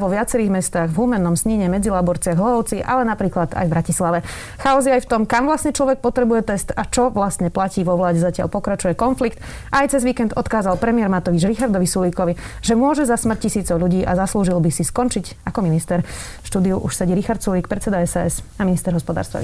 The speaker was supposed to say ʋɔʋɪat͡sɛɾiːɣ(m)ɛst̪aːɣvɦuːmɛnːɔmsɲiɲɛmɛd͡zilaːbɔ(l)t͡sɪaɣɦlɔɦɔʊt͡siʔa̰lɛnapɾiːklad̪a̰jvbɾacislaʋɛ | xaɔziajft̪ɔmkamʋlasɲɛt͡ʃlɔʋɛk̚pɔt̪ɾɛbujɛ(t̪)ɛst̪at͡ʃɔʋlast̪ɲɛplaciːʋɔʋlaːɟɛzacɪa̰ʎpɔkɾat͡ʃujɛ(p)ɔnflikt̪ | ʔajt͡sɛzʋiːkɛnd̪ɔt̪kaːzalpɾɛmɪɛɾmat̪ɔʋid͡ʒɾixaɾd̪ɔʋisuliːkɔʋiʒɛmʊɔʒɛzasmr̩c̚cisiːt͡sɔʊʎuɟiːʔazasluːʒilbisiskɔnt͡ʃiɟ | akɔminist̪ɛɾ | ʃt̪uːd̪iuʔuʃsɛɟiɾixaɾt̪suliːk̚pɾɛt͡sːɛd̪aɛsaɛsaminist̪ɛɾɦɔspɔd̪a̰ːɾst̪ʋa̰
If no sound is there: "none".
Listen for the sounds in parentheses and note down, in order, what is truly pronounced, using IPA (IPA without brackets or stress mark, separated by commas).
m, ɾ, t̪, k